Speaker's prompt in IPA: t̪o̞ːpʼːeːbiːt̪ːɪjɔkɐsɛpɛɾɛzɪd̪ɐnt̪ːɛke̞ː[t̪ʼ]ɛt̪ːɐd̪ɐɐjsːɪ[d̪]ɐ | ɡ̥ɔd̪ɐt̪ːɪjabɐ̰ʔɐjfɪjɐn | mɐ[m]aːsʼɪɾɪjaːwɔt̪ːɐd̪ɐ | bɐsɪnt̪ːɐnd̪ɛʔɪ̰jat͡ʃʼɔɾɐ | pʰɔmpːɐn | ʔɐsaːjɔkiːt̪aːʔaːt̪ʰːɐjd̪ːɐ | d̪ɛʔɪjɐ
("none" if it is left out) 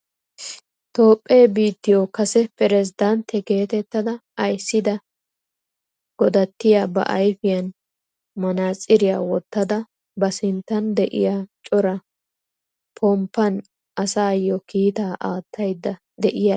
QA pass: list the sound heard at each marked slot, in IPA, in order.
t̪, d̪, n

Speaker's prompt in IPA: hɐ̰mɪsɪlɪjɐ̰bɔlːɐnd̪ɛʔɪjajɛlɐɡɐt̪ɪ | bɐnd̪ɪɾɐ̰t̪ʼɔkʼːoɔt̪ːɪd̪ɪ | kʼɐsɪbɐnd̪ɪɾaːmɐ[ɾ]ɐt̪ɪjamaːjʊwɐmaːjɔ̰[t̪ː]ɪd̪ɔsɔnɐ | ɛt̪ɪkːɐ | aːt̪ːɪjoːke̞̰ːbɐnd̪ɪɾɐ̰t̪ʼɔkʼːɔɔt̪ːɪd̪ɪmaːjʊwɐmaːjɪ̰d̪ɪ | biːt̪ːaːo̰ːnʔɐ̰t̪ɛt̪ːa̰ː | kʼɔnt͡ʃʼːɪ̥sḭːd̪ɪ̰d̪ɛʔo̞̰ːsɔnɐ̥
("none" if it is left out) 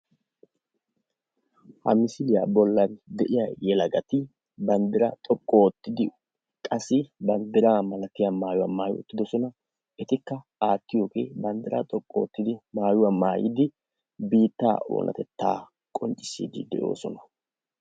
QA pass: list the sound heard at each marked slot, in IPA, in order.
l, t̪ː

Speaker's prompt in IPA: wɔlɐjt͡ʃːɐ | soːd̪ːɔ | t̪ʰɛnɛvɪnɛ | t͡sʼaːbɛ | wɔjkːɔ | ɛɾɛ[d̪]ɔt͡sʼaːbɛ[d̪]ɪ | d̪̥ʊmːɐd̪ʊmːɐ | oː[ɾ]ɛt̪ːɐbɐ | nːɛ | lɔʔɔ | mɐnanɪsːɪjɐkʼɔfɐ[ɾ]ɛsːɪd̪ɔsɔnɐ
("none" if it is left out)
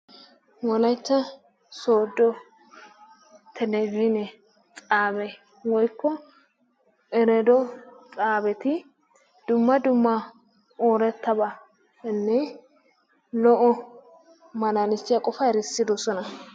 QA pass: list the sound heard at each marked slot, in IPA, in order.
d̪, t̪, ɾ, ɾ

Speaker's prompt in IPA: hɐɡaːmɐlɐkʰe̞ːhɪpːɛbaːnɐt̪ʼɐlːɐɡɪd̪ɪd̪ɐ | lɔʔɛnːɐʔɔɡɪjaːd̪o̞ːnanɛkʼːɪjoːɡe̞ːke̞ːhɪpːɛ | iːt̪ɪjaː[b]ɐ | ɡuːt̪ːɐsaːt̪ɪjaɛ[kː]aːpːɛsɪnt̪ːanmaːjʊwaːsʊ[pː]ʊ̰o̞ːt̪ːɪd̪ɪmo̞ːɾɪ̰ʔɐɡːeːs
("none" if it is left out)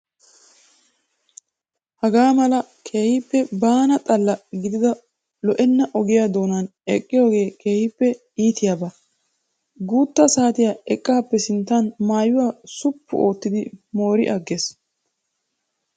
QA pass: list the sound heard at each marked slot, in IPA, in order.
b, kʼː, pː

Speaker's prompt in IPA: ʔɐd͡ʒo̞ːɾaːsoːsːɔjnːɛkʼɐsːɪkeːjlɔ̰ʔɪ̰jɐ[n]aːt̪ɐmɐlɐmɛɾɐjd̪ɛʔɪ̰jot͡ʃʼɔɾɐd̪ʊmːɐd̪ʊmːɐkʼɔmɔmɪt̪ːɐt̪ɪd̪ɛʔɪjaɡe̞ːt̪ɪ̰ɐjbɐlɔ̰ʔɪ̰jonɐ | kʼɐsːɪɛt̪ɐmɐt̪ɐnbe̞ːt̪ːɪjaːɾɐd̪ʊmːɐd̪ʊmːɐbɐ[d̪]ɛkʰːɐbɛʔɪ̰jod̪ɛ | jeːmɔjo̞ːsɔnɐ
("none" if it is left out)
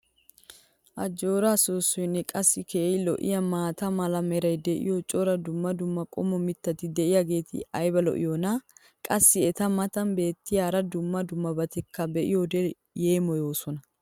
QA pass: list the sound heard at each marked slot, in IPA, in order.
m, t̪

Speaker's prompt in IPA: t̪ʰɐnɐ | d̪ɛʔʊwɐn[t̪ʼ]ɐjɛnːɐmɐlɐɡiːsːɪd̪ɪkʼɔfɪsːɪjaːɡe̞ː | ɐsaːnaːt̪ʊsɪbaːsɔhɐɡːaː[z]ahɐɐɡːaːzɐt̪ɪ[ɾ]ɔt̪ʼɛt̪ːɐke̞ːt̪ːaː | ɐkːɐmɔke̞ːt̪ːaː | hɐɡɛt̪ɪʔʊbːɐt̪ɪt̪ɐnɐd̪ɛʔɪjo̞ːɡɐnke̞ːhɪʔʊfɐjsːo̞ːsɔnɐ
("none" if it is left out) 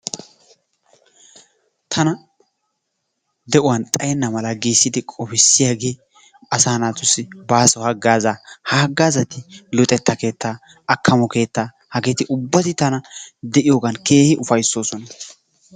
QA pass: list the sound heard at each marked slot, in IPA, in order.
t̪ʼ, z, l

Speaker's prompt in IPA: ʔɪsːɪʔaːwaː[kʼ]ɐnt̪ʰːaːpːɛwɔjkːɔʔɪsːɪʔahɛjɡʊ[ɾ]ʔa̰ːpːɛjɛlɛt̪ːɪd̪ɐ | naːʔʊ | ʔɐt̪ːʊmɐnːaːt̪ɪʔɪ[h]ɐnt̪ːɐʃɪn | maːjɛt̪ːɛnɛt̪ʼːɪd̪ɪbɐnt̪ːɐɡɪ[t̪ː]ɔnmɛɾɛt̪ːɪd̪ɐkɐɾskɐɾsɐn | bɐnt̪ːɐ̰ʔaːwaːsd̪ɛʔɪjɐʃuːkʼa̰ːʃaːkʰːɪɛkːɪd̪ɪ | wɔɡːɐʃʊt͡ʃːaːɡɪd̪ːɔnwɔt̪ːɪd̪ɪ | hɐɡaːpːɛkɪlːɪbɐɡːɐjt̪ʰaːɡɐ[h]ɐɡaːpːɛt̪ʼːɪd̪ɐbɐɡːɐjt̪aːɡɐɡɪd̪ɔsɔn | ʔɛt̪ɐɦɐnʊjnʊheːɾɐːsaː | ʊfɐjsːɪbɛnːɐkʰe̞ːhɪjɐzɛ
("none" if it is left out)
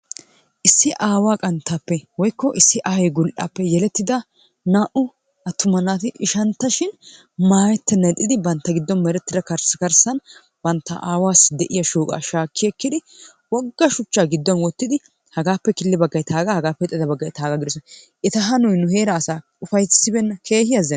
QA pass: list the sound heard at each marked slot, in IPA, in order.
kʼ, l, ʃ, d̪ː, h

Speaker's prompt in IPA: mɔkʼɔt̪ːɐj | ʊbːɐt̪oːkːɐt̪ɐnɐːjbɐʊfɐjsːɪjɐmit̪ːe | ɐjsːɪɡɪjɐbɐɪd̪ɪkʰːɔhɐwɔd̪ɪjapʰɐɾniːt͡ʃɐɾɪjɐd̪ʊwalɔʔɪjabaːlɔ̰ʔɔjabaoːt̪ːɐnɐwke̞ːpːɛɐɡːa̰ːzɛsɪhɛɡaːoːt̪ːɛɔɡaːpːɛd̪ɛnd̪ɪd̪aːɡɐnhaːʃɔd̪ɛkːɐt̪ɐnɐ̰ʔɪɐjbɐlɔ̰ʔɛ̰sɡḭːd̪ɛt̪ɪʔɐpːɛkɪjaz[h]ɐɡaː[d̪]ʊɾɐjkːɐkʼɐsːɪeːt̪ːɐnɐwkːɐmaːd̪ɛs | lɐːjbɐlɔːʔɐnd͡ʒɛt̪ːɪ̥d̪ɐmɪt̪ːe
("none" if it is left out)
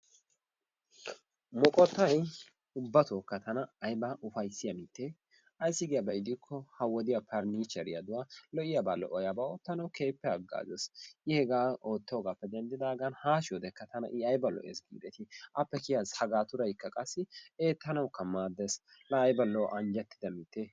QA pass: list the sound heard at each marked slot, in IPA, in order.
h, t̪

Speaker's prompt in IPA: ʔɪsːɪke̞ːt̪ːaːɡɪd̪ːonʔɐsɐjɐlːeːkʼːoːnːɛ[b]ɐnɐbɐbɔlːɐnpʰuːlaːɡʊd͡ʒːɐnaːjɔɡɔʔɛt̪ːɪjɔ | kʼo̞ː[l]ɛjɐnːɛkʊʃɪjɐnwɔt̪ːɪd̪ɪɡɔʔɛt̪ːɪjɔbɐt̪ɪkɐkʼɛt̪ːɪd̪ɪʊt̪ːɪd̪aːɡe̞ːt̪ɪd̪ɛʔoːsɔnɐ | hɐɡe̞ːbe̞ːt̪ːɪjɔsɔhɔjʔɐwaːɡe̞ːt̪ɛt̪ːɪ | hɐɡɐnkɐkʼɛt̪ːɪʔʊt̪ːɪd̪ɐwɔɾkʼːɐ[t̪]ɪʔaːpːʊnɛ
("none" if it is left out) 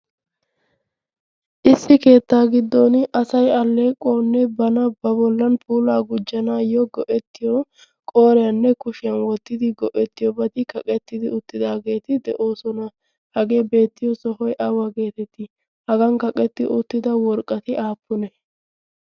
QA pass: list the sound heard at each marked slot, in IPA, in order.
b, ɾ, t̪

